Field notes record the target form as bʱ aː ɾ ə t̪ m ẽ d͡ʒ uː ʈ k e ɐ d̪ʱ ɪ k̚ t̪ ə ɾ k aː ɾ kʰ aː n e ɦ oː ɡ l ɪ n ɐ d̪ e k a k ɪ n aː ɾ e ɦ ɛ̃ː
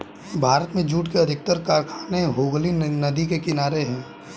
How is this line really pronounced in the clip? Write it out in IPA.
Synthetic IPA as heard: bʱ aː ɾ ə t̪ m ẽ d͡ʒ uː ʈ k e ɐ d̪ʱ ɪ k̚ t̪ ə ɾ k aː ɾ kʰ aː n e ɦ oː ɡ l i n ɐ d̪ i k e k ɪ n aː ɾ e ɦ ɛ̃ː